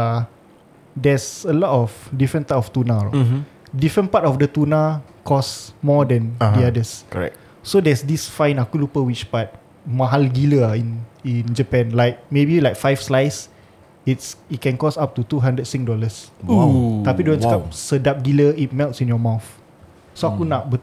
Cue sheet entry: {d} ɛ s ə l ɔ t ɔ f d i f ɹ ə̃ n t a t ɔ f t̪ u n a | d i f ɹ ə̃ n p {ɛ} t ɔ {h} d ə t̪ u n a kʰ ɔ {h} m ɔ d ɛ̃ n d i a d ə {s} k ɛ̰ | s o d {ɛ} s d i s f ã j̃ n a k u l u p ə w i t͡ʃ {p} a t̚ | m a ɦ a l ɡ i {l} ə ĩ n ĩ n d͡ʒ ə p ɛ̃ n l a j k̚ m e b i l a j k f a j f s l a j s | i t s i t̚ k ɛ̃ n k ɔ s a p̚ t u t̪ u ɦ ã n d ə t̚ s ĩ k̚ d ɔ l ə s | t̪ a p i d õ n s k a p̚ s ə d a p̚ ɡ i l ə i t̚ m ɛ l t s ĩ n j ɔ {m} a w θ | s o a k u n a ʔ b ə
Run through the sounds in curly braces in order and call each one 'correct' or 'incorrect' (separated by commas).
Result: correct, incorrect, incorrect, incorrect, correct, correct, correct, correct, correct